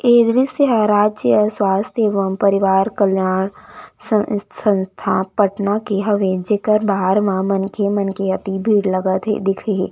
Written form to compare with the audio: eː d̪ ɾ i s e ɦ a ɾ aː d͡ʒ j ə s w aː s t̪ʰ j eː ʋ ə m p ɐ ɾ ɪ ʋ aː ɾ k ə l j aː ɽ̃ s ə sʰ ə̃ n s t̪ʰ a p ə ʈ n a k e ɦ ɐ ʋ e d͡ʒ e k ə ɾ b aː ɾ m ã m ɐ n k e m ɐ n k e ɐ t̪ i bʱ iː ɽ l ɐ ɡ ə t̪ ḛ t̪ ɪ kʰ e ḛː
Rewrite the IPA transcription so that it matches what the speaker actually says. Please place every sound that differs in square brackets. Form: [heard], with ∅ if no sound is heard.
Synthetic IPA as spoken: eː d̪ ɾ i s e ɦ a ɾ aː d͡ʒ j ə s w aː s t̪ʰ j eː ʋ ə m p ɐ ɾ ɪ ʋ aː ɾ k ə l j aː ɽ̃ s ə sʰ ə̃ n s t̪ʰ a p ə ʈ n a k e ɦ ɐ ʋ e d͡ʒ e k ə ɾ b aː ɾ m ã m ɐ n k e m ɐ n k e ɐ t̪ i bʱ iː ɽ l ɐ ɡ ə t̪ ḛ [d̪] ɪ kʰ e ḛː